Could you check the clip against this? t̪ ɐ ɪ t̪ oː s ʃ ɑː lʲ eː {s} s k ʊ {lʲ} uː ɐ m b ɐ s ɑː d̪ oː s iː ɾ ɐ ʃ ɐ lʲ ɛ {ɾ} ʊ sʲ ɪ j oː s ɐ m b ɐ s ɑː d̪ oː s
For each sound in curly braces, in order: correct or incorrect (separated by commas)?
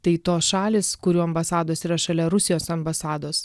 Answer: correct, incorrect, correct